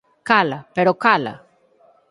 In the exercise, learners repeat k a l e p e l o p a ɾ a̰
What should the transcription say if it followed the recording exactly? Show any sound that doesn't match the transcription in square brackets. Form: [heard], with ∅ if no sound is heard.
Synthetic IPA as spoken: k a l [a] p e [ɾ] o [k] a [l] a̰